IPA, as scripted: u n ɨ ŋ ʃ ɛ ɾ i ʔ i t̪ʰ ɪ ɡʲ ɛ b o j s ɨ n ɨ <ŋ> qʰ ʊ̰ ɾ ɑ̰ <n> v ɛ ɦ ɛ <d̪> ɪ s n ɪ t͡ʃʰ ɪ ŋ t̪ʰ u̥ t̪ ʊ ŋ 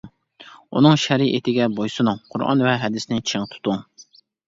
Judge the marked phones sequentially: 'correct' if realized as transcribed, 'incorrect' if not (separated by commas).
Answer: correct, correct, correct